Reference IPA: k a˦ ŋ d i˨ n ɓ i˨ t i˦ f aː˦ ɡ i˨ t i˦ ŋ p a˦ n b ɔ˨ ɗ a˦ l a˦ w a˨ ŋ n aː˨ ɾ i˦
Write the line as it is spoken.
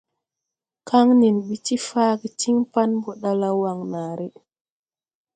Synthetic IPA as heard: k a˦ ŋ n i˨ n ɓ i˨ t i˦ f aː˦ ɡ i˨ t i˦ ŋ p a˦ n b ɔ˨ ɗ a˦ l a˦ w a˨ ŋ n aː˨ ɾ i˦